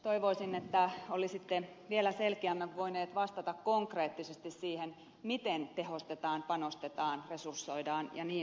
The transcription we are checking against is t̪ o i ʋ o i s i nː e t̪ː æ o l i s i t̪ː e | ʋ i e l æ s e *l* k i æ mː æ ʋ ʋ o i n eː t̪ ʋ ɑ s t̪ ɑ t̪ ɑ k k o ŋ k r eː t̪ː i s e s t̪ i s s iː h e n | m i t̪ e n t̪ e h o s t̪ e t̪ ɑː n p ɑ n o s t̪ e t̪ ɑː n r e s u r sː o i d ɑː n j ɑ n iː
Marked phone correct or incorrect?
correct